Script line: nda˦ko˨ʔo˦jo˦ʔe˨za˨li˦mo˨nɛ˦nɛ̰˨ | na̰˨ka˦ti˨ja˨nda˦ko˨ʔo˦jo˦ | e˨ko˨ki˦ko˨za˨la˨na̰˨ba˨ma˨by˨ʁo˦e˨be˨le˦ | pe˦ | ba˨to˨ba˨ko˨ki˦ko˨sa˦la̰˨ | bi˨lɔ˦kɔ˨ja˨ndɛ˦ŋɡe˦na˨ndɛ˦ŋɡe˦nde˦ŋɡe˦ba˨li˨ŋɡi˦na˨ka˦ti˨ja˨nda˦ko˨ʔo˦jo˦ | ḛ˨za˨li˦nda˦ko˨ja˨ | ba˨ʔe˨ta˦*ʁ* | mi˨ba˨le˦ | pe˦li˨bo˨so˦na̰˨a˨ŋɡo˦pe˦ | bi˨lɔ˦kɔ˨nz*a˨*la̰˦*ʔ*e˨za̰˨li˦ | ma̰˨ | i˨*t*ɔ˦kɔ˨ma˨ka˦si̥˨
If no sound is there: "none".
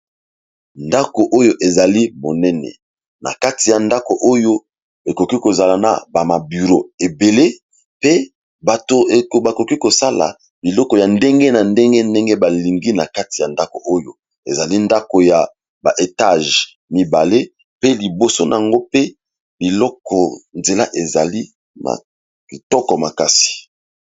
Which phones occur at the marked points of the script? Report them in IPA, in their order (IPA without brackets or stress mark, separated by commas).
ʒ, e˨, ʔ, t